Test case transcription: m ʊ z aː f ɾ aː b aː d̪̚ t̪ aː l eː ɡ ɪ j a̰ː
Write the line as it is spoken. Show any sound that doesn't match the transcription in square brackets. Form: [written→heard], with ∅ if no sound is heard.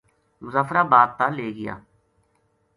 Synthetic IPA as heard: m ʊ z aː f ɾ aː b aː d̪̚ t̪ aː l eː ɡ ɪ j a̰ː